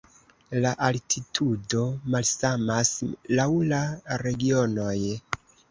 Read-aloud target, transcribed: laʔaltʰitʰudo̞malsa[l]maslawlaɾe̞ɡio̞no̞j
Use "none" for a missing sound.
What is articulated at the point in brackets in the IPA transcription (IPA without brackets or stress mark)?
none